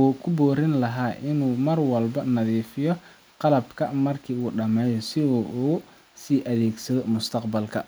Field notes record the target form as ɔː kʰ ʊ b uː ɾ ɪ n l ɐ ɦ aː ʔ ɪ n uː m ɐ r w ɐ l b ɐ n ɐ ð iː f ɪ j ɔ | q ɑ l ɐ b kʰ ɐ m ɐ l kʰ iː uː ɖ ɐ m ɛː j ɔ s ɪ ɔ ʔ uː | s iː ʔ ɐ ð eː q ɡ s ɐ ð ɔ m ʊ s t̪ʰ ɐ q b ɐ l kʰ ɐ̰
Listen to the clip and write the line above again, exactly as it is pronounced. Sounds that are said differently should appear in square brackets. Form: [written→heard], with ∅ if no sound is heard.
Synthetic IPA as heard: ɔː kʰ ʊ b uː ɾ ɪ n l ɐ ɦ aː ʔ ɪ n uː m ɐ r w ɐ l b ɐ n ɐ ð iː f ɪ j ɔ | q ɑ l ɐ b kʰ ɐ m ɐ [l→r] kʰ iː uː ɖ ɐ m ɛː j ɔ s ɪ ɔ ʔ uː | s iː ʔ ɐ ð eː [q→∅] ɡ s ɐ ð ɔ m ʊ s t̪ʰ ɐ q b ɐ l kʰ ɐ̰